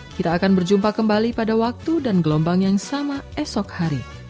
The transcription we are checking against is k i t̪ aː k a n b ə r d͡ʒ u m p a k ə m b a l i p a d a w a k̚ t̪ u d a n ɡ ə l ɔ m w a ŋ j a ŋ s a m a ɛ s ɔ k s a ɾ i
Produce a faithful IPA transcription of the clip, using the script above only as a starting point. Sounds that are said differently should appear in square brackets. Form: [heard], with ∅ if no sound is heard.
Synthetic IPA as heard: k i t̪ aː k a n b ə r d͡ʒ u m p a k ə m b a l i p a d a w a k̚ t̪ u d a n ɡ ə l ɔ m [b] a ŋ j a ŋ s a m a ɛ s ɔ k [h] a ɾ i